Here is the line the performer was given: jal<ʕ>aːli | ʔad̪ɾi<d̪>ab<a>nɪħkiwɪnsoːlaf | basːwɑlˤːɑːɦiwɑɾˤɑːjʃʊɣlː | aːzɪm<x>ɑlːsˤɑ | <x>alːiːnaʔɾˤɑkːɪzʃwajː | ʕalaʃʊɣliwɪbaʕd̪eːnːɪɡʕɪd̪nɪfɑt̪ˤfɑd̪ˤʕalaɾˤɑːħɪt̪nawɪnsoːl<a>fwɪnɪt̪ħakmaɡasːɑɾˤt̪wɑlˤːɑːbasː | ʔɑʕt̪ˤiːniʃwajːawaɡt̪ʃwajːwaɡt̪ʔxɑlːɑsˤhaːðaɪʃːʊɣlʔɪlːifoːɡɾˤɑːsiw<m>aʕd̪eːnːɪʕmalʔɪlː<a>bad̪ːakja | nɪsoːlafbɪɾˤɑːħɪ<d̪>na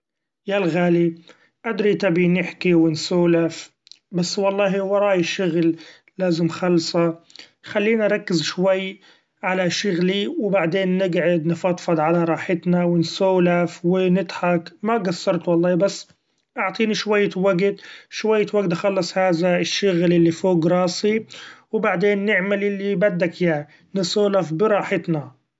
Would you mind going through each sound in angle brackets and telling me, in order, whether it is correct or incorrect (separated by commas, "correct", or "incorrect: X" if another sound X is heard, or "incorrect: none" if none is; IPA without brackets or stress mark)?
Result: incorrect: ɣ, incorrect: t̪, incorrect: i, correct, correct, correct, incorrect: b, incorrect: i, incorrect: t̪